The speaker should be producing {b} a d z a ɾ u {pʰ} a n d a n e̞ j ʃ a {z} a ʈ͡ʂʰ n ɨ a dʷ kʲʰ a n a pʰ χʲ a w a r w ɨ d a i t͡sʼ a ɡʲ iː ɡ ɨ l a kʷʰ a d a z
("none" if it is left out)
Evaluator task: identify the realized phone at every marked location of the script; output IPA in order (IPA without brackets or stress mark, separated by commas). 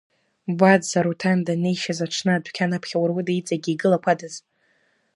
b, tʰ, z